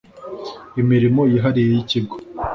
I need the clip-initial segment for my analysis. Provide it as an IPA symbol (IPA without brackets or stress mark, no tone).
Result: i